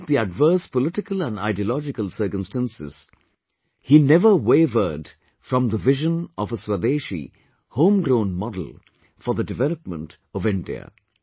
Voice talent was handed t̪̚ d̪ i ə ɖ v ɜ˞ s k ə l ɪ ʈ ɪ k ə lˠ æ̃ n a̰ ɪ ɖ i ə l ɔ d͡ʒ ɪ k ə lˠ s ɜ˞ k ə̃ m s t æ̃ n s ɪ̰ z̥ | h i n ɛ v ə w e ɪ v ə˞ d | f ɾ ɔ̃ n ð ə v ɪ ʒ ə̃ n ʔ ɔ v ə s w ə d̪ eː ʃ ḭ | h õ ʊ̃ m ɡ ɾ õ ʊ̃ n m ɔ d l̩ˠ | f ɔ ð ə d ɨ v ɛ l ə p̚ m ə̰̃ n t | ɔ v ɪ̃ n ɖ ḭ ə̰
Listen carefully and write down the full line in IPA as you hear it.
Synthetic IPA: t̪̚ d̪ i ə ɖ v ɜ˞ s p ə l ɪ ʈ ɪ k ə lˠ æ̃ n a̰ ɪ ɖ i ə l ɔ d͡ʒ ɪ k ə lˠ s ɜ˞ k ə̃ m s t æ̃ n s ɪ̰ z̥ | h i n ɛ v ə w e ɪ v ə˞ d | f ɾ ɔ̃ m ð ə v ɪ ʒ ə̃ n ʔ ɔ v ə s w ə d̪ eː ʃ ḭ | h õ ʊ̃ m ɡ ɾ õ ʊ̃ n m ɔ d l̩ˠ | f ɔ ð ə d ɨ v ɛ l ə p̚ m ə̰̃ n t | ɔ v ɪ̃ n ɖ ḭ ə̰